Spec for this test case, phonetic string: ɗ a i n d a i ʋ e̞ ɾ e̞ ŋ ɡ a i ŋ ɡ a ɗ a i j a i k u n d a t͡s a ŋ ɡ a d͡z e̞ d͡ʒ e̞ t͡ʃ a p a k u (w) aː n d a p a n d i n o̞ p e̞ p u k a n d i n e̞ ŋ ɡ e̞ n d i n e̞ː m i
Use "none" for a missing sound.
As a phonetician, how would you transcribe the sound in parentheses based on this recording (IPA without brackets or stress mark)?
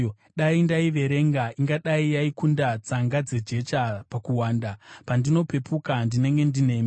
w